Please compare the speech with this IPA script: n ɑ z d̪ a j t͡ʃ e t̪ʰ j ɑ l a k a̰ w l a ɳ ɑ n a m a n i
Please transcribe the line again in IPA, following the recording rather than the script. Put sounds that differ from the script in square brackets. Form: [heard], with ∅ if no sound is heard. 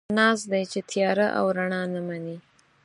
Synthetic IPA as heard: n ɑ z d̪ a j t͡ʃ e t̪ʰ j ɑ [ɾ] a [ʔ] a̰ w [ɾ] a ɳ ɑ n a m a n i